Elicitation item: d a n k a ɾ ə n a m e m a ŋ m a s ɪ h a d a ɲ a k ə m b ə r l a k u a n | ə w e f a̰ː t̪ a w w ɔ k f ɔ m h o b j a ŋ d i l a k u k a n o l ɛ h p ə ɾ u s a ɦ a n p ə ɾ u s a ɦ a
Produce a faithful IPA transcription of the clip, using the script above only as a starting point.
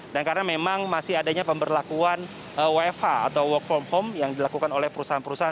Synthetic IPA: d a n k a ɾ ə n a m e m a ŋ m a s ɪ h a d a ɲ a p ə m b ə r l a k u a n | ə w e f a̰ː t̪ a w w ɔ k f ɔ m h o m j a ŋ d i l a k u k a n o l ɛ h p ə ɾ u s a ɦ a n p ə ɾ u s a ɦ a